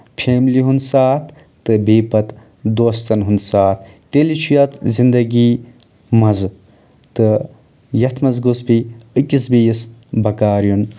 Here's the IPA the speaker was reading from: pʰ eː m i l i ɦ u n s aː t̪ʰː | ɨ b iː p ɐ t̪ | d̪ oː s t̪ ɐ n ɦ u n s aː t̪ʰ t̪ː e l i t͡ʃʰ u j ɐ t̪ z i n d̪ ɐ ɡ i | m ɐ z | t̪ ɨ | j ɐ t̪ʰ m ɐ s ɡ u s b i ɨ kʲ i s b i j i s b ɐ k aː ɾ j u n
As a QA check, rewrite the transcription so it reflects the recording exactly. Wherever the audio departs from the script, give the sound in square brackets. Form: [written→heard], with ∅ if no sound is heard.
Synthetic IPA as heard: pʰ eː m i l i ɦ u n s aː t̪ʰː | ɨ b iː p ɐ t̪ | d̪ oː s t̪ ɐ n ɦ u n s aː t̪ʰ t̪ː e l i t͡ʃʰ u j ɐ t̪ z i n d̪ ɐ ɡ i | m ɐ z | t̪ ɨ | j ɐ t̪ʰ m ɐ [s→z] ɡ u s b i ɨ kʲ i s b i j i s b ɐ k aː ɾ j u n